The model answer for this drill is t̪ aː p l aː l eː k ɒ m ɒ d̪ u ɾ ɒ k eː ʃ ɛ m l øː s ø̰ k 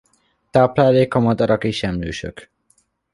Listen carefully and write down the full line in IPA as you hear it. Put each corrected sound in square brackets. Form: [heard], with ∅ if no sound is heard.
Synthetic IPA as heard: t̪ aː p l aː l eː k ɒ m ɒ d̪ [ɒ] ɾ ɒ k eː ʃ ɛ m l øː [ʃ] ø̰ k